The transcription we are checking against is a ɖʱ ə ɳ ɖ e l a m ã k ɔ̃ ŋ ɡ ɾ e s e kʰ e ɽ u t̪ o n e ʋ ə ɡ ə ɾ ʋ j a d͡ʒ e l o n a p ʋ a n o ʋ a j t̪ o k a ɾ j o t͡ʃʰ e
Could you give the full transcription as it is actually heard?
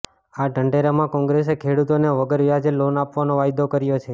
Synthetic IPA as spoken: a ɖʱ ə ɳ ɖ e ɾ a m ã k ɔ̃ ŋ ɡ ɾ e s e kʰ e ɽ u t̪ o n e ʋ ə ɡ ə ɾ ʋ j a d͡ʒ e l o n a p ʋ a n o ʋ a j d̪ o k ə ɾ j o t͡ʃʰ e